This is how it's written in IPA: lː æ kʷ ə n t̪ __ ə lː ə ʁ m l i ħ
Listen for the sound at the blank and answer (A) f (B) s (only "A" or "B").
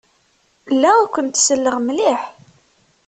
B